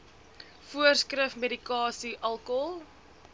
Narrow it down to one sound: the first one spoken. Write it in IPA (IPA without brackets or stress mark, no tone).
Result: f